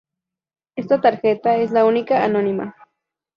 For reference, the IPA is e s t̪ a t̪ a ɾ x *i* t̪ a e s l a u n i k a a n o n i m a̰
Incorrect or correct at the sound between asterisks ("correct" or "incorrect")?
incorrect